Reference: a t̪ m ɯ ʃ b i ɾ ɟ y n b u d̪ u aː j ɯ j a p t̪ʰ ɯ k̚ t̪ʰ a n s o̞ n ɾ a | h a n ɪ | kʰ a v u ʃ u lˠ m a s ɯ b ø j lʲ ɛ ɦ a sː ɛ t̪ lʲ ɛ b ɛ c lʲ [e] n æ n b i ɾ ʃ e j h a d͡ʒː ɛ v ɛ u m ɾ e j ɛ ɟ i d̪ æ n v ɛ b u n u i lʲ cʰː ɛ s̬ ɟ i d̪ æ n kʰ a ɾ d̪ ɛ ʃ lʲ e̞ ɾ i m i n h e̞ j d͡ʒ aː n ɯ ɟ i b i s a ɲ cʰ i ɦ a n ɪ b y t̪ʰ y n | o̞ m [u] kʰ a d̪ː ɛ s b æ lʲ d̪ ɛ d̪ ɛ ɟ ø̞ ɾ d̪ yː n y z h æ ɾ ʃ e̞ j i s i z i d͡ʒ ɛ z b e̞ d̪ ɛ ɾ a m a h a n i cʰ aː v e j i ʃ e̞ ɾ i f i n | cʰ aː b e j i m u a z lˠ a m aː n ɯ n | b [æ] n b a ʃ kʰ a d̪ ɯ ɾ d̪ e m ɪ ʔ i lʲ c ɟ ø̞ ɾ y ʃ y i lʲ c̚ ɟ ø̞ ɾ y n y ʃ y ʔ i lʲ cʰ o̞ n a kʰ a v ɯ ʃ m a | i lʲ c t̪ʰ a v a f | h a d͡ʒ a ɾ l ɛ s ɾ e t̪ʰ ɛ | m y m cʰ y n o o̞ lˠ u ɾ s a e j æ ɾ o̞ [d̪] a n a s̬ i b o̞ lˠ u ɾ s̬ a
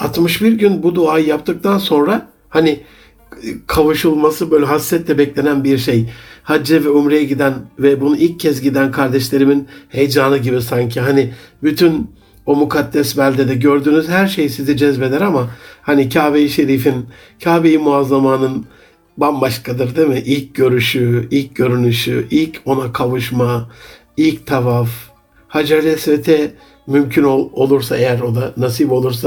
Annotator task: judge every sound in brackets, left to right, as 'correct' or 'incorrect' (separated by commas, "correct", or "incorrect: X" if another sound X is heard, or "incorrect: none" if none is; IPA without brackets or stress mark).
correct, correct, incorrect: a, correct